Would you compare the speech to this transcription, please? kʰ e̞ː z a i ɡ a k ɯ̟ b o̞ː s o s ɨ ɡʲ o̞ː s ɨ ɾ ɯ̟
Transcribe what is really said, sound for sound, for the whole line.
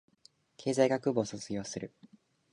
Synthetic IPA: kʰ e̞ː z a i ɡ a k ɯ̟ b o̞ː s o t͡s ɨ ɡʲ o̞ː s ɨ ɾ ɯ̟